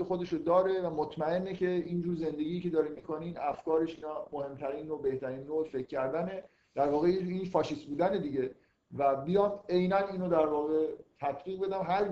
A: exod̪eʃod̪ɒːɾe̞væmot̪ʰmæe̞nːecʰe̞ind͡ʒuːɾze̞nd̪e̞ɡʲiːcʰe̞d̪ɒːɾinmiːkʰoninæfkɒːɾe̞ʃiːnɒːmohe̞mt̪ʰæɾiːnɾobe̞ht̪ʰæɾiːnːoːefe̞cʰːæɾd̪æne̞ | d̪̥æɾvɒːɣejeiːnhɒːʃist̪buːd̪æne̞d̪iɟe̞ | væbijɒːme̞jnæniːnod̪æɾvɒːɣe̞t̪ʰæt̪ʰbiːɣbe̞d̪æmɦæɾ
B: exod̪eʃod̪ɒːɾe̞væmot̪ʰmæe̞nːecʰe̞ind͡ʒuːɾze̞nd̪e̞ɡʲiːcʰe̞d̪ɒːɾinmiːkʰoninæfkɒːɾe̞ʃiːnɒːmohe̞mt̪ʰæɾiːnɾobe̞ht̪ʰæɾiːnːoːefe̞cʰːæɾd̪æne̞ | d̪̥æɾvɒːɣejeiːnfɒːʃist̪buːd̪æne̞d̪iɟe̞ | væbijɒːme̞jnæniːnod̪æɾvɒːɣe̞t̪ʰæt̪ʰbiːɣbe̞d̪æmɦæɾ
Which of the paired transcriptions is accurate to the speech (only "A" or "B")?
B